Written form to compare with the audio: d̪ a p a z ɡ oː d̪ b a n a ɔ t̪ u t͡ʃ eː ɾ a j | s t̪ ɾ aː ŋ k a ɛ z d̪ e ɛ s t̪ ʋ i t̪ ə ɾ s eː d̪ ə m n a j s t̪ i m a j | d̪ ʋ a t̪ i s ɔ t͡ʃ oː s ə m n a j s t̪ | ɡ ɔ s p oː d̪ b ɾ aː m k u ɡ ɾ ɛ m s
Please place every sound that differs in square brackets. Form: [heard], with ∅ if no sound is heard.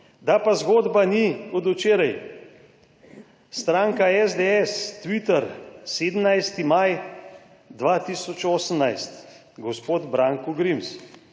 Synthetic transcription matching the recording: d̪ a p a z ɡ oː d̪ b a n [i] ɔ [d̪] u t͡ʃ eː ɾ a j | s t̪ ɾ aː ŋ k a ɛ z d̪ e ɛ s t̪ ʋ i t̪ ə ɾ s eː d̪ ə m n a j s t̪ i m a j | d̪ ʋ a t̪ i s ɔ t͡ʃ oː s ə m n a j s t̪ | ɡ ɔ s p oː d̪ b ɾ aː [ŋ] k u ɡ ɾ [i] m s